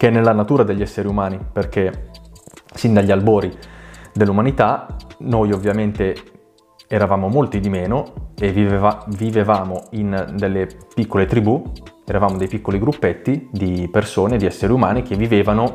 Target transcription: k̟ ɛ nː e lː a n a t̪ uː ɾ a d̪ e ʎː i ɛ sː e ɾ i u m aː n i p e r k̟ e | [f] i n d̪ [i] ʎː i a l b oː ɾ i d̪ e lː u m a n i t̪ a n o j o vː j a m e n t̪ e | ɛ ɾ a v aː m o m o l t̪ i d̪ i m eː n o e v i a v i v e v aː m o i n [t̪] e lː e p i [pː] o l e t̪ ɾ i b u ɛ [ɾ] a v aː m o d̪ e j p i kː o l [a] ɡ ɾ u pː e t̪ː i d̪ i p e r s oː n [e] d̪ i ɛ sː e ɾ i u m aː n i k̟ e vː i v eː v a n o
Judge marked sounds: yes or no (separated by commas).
no, no, no, no, yes, no, yes